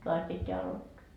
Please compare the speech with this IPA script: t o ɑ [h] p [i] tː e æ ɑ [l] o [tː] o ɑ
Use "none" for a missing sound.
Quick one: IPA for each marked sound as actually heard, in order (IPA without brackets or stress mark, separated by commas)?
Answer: s, i, l, tː